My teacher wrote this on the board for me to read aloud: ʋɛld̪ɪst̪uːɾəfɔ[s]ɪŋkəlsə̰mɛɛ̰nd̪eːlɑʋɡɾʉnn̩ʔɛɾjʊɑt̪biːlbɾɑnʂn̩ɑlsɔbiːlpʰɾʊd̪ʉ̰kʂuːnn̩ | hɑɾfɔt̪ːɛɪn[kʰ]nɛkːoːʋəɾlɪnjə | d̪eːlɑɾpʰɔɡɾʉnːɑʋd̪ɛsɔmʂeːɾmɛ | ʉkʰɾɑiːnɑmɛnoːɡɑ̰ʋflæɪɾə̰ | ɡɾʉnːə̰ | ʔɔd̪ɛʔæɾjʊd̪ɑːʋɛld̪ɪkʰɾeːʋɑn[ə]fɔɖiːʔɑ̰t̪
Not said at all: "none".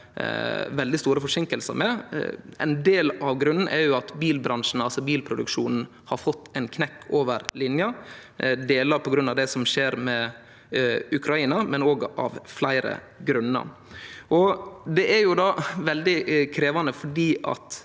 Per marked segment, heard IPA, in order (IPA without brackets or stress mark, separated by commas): ʂ, kʰ, ə